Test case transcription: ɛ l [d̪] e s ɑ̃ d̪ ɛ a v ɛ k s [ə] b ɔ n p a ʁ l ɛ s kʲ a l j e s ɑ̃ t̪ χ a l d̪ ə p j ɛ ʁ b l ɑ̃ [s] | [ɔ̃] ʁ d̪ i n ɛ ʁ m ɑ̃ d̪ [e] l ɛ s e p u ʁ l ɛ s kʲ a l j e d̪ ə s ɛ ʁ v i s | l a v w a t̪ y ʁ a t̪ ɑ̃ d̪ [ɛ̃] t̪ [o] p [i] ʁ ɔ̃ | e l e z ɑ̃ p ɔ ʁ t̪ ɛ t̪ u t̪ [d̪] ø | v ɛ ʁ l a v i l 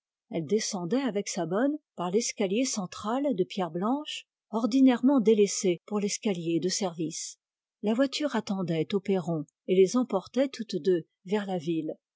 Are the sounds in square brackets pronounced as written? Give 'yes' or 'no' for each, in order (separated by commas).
yes, no, no, no, yes, no, yes, no, yes